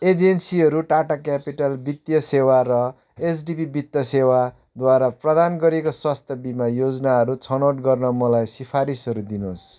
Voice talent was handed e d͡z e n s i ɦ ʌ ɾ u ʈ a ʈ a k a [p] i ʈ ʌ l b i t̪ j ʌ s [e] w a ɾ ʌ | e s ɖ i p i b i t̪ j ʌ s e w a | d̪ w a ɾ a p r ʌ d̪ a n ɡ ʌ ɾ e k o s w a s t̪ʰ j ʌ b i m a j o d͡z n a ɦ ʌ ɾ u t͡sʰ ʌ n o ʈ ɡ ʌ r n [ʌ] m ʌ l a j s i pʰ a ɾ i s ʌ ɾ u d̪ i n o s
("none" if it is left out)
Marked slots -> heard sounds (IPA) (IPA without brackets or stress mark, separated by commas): p, e, ʌ